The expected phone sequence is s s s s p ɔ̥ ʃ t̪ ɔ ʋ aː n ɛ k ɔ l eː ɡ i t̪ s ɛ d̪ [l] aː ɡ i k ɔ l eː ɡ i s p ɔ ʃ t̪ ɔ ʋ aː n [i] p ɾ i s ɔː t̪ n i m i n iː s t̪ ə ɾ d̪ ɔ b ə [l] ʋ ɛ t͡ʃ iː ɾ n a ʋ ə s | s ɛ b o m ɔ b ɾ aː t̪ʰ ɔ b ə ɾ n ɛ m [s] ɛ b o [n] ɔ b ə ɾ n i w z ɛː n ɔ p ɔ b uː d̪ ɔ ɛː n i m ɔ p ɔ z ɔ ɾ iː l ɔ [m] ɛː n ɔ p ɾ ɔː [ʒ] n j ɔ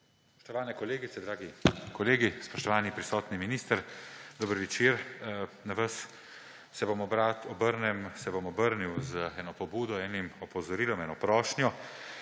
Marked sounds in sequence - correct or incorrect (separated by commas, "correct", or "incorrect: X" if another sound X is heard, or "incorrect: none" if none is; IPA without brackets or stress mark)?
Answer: incorrect: ɾ, correct, incorrect: ɾ, correct, incorrect: m, correct, incorrect: ʃ